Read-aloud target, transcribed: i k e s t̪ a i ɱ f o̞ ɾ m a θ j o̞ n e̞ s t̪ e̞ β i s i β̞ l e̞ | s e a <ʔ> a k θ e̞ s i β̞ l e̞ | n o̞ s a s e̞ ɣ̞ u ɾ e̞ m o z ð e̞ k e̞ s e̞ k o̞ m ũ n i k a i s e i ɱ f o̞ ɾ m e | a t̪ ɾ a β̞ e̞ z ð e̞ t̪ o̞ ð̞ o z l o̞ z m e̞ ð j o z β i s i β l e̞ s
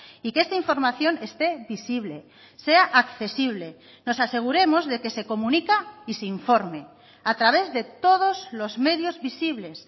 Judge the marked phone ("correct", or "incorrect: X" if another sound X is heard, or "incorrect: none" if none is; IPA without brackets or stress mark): correct